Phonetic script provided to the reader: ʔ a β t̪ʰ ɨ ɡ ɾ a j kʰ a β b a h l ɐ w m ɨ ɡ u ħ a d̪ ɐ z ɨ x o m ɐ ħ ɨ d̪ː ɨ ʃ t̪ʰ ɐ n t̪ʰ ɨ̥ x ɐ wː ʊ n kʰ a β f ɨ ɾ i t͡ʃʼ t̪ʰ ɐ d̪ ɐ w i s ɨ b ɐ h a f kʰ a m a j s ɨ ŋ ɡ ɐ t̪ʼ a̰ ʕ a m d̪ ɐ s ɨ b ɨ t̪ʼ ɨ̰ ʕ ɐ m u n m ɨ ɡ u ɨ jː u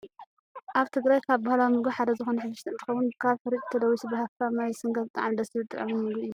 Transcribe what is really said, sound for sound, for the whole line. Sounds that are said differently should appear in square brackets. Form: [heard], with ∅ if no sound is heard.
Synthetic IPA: ʔ a β t̪ʰ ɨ ɡ ɾ a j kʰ a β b a h l [a] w m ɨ ɡ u ħ a d̪ ɐ z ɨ x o [n] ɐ ħ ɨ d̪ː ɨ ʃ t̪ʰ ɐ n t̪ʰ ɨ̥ x ɐ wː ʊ n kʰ a β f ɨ ɾ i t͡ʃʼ t̪ʰ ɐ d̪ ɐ w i s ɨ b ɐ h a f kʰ a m a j s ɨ ŋ ɡ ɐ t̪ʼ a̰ ʕ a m d̪ ɐ s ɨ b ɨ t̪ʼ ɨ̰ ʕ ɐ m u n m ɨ ɡ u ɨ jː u

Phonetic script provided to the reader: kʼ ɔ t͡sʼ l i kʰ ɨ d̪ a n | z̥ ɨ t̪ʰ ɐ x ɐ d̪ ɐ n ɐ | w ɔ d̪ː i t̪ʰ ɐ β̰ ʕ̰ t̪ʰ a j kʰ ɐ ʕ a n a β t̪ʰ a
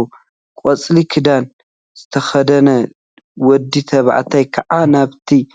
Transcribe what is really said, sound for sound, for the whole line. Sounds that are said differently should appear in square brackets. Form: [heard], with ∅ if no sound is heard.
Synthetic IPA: kʼ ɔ t͡sʼ l i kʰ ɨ d̪ a n | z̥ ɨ t̪ʰ ɐ x ɐ d̪ ɐ n ɐ | w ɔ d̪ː i t̪ʰ ɐ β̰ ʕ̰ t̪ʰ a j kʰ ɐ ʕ a n a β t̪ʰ [i]

